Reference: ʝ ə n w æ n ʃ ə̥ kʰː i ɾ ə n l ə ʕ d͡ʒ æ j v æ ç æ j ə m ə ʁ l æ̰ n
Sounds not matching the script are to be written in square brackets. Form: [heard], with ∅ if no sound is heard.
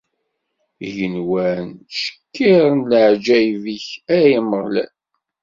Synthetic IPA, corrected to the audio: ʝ ə n w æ n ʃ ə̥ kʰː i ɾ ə n l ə ʕ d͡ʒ æ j v [i] ç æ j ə m ə ʁ l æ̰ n